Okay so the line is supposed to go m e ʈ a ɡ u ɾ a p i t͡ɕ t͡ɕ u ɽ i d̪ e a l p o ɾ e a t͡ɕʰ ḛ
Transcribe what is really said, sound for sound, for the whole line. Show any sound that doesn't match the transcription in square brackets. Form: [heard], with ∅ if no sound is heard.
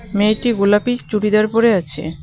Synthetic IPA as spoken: m e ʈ [i] ɡ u [l] a p i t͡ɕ t͡ɕ u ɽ i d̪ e a [ɾ] p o ɾ e a t͡ɕʰ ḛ